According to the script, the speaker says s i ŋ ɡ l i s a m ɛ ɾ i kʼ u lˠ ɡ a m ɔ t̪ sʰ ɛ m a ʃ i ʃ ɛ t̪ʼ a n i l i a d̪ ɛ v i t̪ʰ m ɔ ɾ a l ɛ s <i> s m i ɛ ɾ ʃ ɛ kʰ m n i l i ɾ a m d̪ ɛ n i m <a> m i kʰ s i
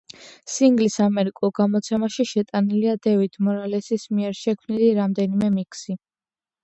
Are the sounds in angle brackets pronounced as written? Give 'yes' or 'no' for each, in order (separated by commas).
yes, no